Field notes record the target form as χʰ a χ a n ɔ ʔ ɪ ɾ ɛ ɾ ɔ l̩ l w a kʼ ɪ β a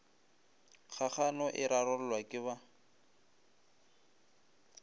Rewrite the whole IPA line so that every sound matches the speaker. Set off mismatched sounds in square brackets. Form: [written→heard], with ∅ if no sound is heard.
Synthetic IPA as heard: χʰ a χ a n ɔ ʔ ɪ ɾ [ɛ→a] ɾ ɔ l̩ l w a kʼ ɪ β a